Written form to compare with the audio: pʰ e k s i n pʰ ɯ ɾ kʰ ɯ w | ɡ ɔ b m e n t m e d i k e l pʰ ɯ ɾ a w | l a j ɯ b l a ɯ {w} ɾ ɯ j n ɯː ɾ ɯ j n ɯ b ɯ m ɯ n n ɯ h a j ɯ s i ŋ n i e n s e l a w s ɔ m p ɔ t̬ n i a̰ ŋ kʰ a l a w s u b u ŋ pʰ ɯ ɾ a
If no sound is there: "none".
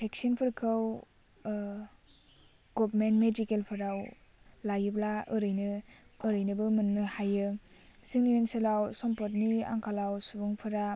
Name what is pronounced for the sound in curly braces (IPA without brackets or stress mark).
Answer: none